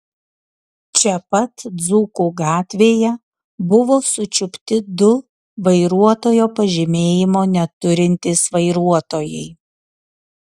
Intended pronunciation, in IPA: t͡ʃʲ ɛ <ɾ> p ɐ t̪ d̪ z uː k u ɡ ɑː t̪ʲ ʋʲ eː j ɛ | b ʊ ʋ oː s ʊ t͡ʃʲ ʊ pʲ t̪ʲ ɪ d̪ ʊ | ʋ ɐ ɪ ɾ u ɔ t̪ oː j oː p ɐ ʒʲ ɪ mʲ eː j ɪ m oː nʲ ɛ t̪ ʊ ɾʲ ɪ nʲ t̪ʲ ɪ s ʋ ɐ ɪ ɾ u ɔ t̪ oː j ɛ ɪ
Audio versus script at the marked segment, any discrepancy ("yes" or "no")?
yes